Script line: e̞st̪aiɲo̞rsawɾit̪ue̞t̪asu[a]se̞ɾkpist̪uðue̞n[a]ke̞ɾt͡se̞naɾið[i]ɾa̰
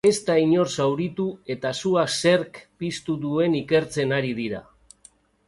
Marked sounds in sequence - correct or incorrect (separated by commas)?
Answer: correct, incorrect, correct